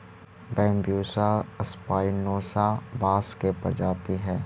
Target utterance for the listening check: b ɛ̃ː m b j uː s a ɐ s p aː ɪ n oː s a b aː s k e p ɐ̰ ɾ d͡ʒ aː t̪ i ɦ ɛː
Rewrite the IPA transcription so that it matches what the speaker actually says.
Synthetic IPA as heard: b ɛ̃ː m b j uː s a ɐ s p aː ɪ n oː s a b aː s k e p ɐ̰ ɾ d͡ʒ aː t̪ i ɦ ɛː